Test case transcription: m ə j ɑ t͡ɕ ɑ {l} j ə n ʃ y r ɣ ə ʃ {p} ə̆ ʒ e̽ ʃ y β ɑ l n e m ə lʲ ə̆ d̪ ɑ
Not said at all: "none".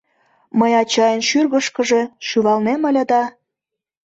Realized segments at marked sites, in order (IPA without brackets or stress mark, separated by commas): none, k